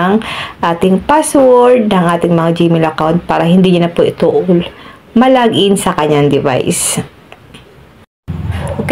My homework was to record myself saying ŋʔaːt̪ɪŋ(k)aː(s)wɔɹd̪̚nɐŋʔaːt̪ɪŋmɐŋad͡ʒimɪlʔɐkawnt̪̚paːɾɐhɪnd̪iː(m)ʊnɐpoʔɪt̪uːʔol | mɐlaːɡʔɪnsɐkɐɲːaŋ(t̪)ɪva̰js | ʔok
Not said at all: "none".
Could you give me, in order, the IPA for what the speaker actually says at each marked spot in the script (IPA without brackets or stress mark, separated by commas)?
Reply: p, s, ɲ, d̪